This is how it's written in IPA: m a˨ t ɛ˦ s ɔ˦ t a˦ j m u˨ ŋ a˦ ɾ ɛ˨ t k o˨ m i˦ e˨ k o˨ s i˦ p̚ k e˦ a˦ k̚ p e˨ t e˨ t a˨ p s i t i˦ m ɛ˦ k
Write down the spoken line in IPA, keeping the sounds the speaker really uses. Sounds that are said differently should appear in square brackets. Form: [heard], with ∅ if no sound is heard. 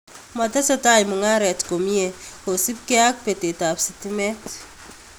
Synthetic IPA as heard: m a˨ t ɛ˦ s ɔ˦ t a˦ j m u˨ ŋ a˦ ɾ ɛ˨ t k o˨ m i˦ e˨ k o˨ s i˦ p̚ k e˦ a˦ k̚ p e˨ t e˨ t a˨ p s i t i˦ m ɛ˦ [t]